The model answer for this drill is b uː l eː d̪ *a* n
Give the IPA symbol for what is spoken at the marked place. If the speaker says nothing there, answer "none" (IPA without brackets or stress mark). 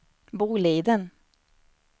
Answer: ə